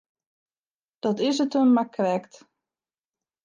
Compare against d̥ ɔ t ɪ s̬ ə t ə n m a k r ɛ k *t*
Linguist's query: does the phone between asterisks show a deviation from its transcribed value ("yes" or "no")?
no